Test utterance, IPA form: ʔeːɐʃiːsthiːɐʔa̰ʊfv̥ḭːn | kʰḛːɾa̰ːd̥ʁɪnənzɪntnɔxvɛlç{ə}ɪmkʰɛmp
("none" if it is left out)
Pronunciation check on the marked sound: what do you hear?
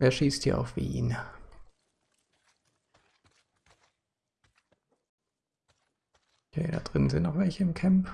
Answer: ə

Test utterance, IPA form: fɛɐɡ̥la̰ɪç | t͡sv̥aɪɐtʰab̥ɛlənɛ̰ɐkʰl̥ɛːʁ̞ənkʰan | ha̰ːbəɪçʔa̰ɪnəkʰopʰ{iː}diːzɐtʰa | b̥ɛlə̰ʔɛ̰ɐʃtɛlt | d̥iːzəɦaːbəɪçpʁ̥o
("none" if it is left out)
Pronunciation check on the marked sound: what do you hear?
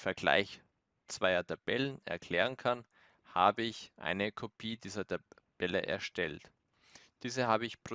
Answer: iː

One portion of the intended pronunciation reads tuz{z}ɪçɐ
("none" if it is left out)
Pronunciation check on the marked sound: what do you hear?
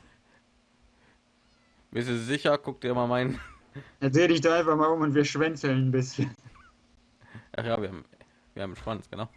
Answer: z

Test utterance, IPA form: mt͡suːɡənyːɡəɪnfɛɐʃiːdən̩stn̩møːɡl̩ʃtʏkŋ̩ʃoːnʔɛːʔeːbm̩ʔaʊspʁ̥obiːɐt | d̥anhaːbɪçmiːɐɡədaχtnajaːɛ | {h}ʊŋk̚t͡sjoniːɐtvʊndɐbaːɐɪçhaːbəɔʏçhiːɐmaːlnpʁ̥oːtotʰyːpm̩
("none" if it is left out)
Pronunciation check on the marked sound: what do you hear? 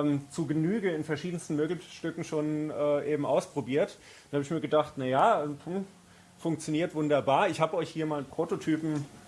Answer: f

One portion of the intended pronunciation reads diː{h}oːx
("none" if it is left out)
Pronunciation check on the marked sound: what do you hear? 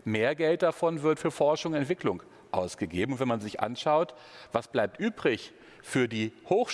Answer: h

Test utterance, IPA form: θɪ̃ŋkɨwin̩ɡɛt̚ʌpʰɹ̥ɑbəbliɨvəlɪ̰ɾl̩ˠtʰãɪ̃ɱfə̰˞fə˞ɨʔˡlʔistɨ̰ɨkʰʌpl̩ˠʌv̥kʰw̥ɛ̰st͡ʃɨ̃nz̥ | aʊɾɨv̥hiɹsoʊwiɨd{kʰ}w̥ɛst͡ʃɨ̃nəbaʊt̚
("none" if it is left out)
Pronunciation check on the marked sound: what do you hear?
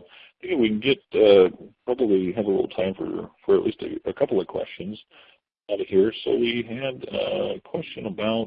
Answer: kʰ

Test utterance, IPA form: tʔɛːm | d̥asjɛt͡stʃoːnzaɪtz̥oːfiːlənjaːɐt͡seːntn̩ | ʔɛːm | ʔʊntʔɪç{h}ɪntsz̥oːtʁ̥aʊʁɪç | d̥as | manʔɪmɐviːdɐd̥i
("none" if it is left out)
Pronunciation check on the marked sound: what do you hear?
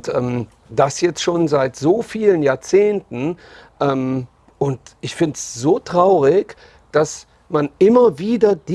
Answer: f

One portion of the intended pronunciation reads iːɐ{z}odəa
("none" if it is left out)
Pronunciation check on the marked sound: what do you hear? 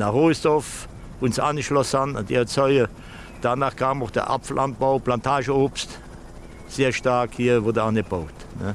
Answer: v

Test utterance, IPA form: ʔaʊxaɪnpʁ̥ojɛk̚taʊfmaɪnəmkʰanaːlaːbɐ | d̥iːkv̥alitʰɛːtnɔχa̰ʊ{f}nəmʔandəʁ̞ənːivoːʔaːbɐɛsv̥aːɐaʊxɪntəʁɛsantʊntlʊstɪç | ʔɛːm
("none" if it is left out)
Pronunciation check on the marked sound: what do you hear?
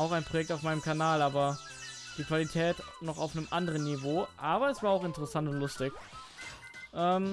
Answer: f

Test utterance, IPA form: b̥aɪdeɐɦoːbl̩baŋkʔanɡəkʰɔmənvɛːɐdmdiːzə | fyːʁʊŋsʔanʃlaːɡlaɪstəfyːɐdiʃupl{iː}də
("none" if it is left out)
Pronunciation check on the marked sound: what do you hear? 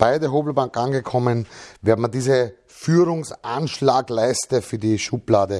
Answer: aː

